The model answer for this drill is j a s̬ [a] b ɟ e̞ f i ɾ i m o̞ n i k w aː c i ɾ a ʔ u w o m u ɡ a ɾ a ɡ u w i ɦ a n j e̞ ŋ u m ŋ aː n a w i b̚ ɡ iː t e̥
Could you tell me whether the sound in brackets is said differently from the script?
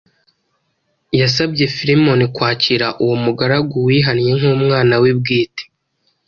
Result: no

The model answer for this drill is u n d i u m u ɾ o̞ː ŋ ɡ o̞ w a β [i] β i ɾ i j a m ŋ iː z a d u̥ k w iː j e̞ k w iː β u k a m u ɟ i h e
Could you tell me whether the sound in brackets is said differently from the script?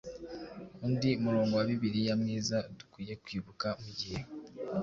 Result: no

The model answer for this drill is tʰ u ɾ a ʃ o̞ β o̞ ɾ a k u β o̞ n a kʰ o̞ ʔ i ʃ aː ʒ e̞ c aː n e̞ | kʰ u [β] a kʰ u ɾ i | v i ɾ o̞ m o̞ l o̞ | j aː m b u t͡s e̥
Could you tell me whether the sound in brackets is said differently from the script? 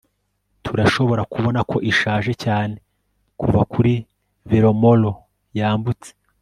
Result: yes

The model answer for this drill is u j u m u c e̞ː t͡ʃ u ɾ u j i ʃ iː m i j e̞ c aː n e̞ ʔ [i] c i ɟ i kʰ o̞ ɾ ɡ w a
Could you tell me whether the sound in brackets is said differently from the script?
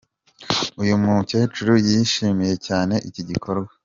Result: no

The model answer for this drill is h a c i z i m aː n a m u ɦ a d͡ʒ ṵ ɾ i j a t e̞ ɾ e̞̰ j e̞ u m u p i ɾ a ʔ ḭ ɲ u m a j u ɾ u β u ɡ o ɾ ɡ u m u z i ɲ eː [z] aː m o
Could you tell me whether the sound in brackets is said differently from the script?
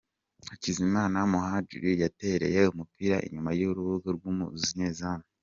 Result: no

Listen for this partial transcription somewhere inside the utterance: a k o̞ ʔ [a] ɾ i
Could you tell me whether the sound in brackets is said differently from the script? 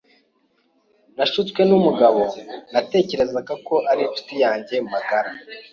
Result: no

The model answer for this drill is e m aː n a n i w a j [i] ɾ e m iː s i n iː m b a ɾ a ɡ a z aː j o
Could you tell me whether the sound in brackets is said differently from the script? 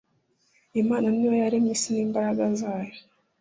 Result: yes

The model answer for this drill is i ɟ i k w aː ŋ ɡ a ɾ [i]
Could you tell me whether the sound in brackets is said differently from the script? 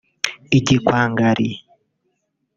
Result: no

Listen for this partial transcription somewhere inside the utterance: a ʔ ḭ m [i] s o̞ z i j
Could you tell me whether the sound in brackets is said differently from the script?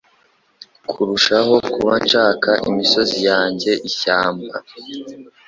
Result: no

